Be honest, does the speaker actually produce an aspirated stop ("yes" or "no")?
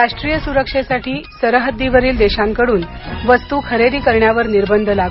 yes